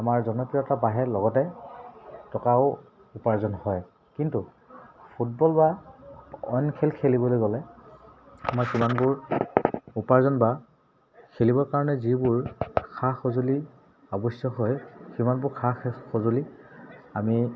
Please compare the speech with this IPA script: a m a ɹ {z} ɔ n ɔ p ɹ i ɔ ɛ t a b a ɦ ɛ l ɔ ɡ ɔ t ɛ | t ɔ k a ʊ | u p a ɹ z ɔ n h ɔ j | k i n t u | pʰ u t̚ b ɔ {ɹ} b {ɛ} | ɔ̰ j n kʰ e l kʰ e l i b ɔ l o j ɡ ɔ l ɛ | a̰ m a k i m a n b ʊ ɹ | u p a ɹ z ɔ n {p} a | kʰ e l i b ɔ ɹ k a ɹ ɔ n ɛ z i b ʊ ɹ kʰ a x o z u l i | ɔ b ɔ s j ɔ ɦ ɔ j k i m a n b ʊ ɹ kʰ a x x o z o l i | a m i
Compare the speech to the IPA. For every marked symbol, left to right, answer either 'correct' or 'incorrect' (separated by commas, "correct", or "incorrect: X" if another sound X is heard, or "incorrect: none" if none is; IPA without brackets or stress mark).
correct, incorrect: l, incorrect: a, incorrect: b